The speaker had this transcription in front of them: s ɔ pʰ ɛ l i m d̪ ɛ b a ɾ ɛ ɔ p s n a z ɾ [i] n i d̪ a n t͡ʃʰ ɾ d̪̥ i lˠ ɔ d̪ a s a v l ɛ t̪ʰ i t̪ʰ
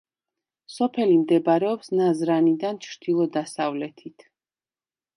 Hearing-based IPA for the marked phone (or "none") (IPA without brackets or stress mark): a